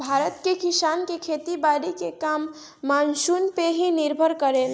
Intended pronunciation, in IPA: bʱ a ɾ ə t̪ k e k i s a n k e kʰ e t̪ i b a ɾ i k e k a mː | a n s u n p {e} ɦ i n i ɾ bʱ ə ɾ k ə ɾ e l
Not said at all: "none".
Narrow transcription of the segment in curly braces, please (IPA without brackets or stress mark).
e